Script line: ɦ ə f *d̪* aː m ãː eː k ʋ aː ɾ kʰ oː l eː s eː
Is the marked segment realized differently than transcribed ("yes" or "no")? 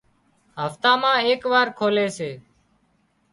yes